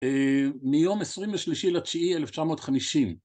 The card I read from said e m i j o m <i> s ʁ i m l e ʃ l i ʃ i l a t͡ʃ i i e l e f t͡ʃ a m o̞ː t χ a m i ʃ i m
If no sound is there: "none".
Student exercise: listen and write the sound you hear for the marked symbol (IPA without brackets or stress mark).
e